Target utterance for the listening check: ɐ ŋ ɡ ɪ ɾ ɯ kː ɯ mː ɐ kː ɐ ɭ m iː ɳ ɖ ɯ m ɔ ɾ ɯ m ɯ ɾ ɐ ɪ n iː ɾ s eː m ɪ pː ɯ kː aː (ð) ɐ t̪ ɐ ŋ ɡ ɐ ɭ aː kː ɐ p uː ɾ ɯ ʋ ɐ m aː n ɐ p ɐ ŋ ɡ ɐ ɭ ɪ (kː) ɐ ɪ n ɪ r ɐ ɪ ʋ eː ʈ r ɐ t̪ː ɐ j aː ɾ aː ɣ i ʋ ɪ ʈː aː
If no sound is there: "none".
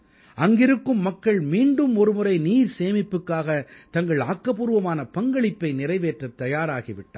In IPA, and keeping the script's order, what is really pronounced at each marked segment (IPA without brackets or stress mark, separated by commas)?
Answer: ɣ, pː